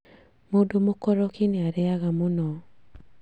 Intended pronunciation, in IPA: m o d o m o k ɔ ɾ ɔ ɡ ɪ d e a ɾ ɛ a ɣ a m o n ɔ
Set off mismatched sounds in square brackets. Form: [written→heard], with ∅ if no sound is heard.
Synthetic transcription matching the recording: m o d o m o k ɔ ɾ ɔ [ɡ→k] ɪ [d→n] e a ɾ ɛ a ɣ a m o n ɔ